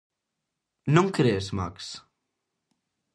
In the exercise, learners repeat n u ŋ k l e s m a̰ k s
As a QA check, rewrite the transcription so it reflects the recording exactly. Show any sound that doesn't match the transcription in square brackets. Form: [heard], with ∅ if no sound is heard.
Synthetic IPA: n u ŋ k [ɾ] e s m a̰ k s